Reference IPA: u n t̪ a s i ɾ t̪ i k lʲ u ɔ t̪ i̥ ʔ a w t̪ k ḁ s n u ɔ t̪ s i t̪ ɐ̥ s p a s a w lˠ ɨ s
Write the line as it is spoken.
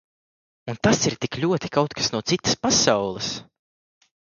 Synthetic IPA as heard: u n t̪ a s i ɾ t̪ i k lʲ u ɔ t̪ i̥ k a w t̪ k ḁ s n u ɔ t̪ s i t̪ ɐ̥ s p a s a w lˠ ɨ s

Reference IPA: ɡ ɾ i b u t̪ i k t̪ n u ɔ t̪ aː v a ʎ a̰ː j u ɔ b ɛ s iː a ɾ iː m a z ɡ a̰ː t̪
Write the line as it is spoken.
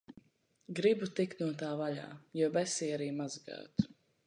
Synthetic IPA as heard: ɡ ɾ i b u t̪ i k t̪ n u ɔ t̪ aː v a ʎ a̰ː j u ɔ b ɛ s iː a ɾ iː m a z ɡ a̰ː t̪

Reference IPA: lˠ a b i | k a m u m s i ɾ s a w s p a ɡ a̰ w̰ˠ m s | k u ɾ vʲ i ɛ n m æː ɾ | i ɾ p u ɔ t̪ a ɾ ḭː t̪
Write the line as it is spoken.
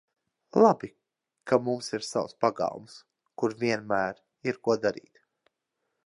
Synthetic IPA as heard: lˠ a b i | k a m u m s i ɾ s a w s p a ɡ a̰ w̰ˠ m s | k u ɾ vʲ i ɛ n m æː ɾ | i ɾ k u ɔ d̪ a ɾ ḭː t̪

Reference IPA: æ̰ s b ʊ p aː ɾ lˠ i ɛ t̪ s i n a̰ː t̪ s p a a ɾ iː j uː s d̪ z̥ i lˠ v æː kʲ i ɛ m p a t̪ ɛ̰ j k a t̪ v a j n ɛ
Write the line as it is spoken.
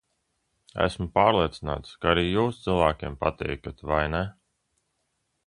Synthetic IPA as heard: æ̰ s m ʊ p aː ɾ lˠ i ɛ t̪ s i n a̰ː t̪ s k a a ɾ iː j uː s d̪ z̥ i lˠ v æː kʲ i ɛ m p a t̪ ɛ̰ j k a t̪ v a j n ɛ

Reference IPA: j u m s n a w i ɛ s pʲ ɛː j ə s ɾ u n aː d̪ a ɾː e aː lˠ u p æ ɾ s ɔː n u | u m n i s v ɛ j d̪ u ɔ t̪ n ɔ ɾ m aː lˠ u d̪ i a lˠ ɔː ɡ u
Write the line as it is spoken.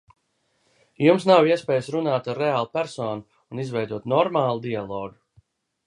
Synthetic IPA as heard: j u m s n a w i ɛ s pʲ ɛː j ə s ɾ u n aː t̪ a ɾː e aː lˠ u p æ ɾ s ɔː n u | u n i z v ɛ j d̪ u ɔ t̪ n ɔ ɾ m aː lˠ u d̪ i a lˠ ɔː ɡ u

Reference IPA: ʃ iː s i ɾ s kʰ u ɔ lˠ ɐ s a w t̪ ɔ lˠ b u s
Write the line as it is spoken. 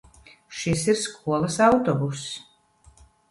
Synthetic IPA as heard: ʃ i s i ɾ s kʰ u ɔ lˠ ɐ s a w t̪ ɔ b u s

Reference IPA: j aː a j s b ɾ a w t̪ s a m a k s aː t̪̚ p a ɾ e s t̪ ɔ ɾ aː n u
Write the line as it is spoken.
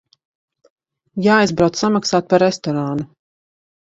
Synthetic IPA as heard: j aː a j z b ɾ a w t̪ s a m a k s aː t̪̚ p a ɾ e s t̪ ɔ ɾ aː n u

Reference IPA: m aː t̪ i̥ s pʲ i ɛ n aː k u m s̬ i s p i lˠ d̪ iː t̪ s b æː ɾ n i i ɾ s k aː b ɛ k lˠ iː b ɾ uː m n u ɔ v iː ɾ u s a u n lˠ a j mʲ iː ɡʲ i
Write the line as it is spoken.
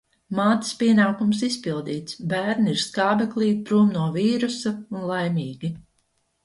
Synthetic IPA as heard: m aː t̪ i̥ s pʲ i ɛ n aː k u m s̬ i s p i lˠ d̪ iː t̪ s b æː ɾ n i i ɾ s k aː b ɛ k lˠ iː p ɾ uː m n u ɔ v iː ɾ u s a u n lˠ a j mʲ iː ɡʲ i

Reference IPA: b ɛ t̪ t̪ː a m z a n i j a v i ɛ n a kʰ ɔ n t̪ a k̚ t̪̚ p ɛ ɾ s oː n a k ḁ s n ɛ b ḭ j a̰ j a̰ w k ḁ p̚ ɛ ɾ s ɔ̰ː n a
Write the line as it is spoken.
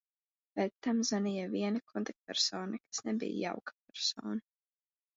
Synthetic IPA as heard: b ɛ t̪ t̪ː a m z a n i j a v i ɛ n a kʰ ɔ n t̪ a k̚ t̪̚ p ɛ ɾ s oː n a k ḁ s n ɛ b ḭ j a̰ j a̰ w k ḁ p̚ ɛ ɾ s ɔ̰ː n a

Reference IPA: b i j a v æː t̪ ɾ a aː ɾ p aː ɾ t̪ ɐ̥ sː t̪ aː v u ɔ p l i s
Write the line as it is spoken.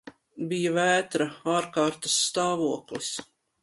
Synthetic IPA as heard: b i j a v æː t̪ ɾ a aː ɾ k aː ɾ t̪ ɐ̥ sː t̪ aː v u ɔ k l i s

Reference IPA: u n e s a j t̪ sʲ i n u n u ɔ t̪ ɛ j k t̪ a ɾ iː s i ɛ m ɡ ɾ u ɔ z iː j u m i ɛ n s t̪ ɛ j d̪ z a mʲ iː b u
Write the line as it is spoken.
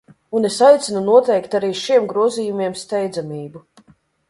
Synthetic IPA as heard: u n e s a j t̪ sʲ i n u n u ɔ t̪ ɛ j k t̪ a ɾ iː ʃ i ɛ m ɡ ɾ u ɔ z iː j u m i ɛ m s t̪ ɛ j d̪ z a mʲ iː b u

